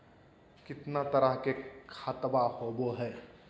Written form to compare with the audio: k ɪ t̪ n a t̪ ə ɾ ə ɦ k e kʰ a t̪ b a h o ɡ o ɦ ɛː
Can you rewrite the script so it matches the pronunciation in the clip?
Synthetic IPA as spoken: k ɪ t̪ n a t̪ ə ɾ ə ɦ k e kʰ a t̪ b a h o b o ɦ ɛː